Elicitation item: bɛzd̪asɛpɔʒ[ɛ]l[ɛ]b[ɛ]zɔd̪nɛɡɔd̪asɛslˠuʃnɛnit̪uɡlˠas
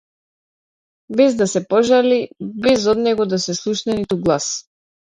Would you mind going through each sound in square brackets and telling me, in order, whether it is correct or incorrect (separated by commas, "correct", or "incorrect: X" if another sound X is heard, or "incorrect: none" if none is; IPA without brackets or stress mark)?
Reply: incorrect: a, incorrect: i, correct